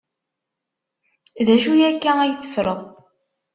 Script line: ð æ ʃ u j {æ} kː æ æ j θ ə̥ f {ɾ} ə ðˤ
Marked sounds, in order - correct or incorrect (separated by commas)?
correct, correct